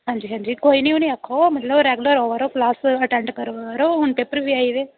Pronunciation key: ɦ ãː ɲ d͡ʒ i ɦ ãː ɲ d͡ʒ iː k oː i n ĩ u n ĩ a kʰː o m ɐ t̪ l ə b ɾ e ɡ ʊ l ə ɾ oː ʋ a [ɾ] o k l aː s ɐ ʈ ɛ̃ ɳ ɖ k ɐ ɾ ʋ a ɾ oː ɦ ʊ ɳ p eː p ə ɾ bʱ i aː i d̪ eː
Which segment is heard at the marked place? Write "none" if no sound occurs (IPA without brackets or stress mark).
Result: ɾ